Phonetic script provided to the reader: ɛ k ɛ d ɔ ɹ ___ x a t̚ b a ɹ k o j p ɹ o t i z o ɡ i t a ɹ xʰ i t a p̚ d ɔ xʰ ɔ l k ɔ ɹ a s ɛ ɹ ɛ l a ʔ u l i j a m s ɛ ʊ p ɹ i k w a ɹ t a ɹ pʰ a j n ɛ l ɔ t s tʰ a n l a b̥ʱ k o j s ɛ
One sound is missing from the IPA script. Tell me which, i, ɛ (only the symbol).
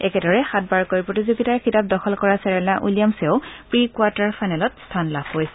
ɛ